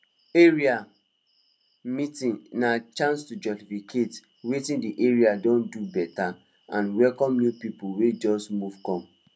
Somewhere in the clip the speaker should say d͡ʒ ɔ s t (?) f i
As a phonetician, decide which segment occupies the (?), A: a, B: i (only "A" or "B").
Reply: B